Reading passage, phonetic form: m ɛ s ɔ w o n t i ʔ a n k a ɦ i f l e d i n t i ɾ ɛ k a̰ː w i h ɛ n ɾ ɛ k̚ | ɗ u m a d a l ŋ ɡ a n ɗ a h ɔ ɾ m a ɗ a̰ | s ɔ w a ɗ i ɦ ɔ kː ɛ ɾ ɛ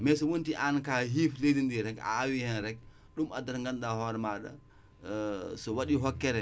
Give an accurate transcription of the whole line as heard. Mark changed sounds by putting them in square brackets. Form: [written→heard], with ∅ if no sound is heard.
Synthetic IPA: m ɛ s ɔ w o n t i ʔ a n k a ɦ i f l e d i n [t→d] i ɾ ɛ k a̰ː w i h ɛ n ɾ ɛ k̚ | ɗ u m a d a [l→ɾ] ŋ ɡ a n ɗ a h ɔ ɾ m a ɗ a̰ | s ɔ w a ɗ i ɦ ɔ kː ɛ ɾ ɛ